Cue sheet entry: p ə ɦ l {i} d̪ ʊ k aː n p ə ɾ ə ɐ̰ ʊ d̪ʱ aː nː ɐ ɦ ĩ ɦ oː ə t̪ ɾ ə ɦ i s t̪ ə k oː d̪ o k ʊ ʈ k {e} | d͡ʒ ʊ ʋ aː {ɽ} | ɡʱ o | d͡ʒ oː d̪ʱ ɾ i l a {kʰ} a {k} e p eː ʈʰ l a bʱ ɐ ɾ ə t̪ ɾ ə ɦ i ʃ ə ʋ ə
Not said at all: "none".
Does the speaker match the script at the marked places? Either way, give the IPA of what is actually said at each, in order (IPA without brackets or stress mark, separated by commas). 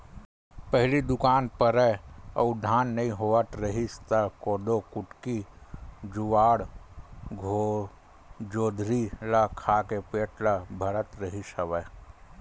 i, i, ɽ, kʰ, k